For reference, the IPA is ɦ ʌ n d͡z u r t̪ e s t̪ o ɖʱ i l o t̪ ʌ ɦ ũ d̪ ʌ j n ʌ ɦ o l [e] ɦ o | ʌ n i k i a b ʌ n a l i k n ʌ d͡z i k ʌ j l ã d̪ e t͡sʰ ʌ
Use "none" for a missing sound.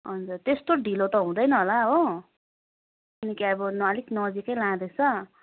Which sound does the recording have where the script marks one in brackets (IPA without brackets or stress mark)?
a